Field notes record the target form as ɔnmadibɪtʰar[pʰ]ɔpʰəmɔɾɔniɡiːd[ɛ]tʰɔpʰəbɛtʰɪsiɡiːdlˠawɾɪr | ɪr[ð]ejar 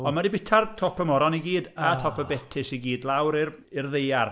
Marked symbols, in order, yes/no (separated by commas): no, no, yes